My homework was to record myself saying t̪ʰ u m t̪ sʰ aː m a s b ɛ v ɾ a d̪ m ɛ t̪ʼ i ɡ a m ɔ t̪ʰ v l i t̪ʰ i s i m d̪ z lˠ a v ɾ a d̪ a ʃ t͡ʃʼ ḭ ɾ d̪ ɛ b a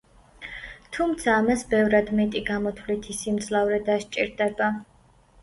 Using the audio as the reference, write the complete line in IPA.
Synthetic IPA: t̪ʰ u m t̪ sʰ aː m a s b ɛ v ɾ a d̪ m ɛ t̪ʼ i ɡ a m ɔ t̪ʰ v l i t̪ʰ i s i m d̪ z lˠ a v ɾ ɛ d̪ a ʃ t͡ʃʼ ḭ ɾ d̪ ɛ b a